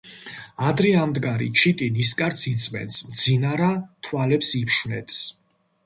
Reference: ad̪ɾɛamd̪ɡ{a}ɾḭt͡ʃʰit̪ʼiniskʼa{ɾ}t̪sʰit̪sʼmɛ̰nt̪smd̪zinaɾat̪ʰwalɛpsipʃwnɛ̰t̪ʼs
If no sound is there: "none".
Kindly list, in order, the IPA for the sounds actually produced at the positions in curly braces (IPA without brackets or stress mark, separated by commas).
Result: a, ɾ